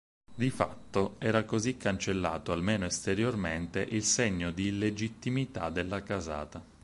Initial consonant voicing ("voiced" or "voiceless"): voiced